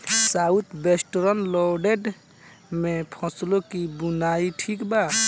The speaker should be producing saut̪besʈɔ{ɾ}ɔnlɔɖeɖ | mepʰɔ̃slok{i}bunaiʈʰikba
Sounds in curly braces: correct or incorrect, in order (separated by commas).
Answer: correct, correct